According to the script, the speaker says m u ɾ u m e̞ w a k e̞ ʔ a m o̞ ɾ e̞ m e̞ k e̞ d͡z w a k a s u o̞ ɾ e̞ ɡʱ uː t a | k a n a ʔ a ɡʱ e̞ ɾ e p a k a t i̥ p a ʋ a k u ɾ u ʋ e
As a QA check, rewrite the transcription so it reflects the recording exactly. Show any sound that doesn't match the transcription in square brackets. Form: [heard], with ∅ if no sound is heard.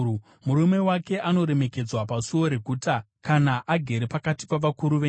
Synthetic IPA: m u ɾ u m e̞ w a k e̞ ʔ a [n] o̞ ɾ e̞ m e̞ k e̞ d͡z w a [p] a s u o̞ ɾ e̞ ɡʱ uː t a | k a n a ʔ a ɡʱ e̞ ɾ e p a k a t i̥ p a ʋ a k u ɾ u ʋ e